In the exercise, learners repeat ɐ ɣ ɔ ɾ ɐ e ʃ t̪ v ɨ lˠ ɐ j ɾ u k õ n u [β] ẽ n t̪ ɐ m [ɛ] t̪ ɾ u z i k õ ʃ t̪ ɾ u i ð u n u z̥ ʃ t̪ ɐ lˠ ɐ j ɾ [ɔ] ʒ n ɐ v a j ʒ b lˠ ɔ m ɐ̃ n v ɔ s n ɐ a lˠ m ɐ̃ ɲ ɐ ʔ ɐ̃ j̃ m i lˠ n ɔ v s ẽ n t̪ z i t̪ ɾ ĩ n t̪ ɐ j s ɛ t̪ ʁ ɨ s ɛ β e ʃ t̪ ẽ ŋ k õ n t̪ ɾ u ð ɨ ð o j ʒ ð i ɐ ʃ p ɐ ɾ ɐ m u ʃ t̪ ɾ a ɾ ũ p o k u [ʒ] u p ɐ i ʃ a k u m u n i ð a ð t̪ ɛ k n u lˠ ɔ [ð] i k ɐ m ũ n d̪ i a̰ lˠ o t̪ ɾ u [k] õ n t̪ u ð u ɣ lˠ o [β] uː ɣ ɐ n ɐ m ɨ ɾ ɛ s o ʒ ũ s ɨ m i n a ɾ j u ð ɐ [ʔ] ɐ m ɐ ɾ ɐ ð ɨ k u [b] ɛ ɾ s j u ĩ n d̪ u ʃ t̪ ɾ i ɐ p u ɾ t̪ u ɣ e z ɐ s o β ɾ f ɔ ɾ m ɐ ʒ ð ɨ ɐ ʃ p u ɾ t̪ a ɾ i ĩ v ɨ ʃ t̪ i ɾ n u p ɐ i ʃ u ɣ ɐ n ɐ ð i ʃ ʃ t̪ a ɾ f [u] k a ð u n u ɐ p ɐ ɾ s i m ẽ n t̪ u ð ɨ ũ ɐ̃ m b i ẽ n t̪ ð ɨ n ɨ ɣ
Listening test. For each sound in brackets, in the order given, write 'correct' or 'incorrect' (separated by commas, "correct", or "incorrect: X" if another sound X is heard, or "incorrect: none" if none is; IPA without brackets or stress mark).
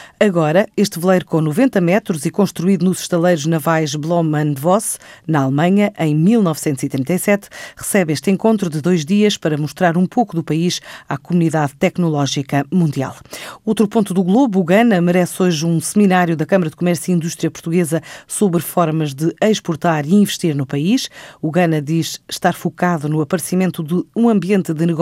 incorrect: v, correct, incorrect: u, incorrect: ð, incorrect: ʒ, incorrect: p, correct, incorrect: k, incorrect: m, correct